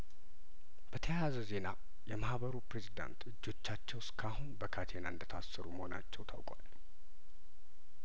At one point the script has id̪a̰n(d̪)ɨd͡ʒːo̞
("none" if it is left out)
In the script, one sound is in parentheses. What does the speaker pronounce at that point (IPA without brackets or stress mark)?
t̪